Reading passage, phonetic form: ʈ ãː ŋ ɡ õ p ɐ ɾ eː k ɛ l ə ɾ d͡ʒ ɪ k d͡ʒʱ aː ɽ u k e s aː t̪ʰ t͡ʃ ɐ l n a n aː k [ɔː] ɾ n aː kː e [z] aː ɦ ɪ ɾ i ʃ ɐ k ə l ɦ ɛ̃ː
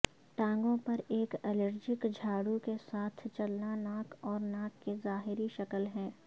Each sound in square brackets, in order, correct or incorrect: correct, correct

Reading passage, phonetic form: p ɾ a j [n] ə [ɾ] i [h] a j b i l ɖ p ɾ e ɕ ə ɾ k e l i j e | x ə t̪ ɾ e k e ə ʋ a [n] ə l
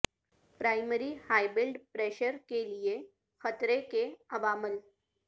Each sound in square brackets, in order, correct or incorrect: incorrect, correct, correct, incorrect

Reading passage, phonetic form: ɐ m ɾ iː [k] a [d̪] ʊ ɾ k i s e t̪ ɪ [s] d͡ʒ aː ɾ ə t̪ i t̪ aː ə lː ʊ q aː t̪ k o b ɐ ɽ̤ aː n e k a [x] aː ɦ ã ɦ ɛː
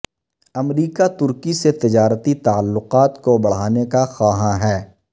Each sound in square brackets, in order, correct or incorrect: correct, incorrect, incorrect, correct

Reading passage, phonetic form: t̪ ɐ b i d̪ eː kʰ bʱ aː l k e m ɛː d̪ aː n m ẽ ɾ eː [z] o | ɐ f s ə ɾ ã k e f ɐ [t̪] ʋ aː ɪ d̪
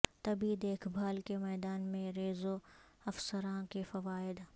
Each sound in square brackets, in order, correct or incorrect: correct, incorrect

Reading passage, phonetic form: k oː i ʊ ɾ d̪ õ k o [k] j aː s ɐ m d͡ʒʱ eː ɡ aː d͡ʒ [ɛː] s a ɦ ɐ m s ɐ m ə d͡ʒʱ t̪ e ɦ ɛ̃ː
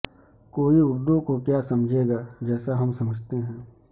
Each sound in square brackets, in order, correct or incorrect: correct, correct

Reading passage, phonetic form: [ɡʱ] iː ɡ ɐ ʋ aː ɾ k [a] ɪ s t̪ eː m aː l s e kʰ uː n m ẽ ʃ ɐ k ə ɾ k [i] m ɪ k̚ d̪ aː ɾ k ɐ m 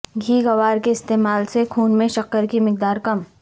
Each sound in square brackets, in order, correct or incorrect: correct, incorrect, correct

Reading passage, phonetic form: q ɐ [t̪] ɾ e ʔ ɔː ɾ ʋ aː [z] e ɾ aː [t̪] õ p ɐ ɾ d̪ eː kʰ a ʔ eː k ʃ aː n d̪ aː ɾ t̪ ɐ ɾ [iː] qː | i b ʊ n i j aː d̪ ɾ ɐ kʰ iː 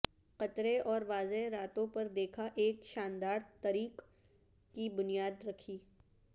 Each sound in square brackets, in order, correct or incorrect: correct, correct, correct, correct

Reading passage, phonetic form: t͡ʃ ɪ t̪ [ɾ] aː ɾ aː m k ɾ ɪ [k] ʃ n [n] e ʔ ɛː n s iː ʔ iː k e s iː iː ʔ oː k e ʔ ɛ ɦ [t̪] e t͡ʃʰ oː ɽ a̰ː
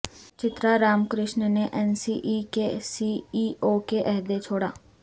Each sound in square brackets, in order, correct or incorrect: correct, incorrect, correct, incorrect

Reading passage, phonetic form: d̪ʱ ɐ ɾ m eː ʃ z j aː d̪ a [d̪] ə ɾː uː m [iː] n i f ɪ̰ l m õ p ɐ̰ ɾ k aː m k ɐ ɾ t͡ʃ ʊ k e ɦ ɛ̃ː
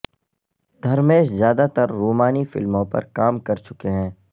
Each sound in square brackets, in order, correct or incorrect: incorrect, incorrect

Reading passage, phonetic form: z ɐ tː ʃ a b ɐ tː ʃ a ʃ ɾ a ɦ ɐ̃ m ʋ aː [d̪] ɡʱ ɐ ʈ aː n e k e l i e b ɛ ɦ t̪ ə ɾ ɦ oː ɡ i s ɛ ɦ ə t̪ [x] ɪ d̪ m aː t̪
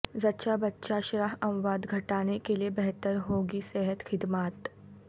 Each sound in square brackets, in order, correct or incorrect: correct, correct

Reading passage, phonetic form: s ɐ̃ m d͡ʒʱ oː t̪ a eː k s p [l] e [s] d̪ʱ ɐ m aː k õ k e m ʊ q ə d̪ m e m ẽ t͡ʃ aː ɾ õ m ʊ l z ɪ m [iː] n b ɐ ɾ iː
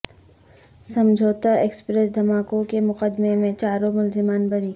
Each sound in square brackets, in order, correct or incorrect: incorrect, correct, incorrect

